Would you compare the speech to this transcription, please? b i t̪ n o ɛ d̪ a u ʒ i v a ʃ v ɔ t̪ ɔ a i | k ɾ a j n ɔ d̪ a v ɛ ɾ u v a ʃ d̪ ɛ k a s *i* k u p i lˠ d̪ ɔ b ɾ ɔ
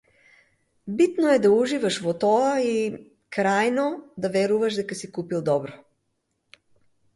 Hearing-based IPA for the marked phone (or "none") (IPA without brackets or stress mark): i